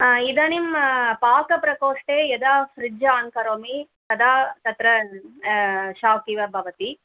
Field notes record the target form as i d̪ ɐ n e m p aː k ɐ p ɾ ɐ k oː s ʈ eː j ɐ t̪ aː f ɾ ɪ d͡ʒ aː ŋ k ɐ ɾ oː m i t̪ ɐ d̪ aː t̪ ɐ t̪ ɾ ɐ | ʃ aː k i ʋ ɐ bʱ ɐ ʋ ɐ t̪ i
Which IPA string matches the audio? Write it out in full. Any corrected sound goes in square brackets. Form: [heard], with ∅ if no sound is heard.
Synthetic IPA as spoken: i d̪ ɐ n [i] m p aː k ɐ p ɾ ɐ k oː [ʂ] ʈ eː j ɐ [d̪] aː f ɾ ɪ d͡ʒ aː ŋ k ɐ ɾ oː m i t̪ ɐ d̪ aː t̪ ɐ t̪ ɾ ɐ | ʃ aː k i ʋ ɐ bʱ ɐ ʋ ɐ t̪ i